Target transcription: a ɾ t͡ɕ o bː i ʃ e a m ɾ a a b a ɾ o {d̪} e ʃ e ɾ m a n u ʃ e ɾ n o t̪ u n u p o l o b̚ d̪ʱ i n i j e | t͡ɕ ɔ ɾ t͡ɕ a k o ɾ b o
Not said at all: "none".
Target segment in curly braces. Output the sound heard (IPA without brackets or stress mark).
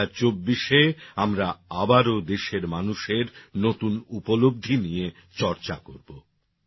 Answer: d̪